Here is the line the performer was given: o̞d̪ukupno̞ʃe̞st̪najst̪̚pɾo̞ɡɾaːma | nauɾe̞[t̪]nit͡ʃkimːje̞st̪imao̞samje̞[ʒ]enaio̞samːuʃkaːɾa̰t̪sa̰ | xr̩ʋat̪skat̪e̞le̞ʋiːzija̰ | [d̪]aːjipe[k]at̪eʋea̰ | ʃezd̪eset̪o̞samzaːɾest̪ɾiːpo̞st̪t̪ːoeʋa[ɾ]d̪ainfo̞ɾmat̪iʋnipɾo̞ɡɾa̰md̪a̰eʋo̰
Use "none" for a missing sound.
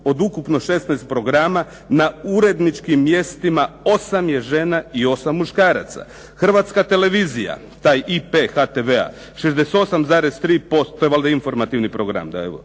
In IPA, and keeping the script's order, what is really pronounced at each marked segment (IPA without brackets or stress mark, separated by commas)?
d̪, ʒ, t̪, x, l